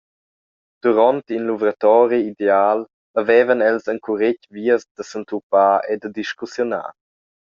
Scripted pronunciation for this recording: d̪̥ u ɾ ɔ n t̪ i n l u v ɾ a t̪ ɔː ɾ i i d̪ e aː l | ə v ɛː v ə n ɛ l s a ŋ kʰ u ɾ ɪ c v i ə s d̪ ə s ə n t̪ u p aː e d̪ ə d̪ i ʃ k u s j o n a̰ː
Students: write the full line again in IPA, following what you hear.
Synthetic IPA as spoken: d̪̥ u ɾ ɔ n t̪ i n l u v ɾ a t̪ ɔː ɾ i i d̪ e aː l | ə v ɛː v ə n ɛ l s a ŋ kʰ u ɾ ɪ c v i ə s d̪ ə s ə n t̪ u p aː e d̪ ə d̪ i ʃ k u s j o n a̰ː